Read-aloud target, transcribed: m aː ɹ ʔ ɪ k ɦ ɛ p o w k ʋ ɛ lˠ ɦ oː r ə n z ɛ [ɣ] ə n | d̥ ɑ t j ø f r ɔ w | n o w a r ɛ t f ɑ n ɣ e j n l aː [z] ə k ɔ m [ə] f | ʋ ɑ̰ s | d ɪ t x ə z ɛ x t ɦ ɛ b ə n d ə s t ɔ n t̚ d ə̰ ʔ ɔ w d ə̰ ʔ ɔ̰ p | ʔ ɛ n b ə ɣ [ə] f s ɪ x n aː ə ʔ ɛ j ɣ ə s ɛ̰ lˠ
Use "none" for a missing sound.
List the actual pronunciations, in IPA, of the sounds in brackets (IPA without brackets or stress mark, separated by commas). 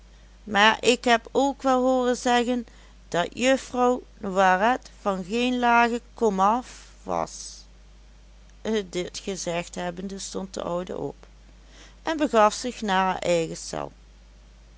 ɣ, ɣ, ɑ, ɑ